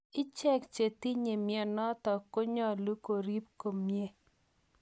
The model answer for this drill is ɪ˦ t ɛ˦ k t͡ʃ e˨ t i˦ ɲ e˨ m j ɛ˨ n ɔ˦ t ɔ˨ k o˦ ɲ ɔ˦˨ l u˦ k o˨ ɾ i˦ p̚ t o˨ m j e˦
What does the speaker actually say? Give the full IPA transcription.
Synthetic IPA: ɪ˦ t͡ʃ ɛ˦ k t͡ʃ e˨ t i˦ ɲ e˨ m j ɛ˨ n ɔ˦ t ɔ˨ k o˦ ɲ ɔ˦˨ l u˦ k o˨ ɾ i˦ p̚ k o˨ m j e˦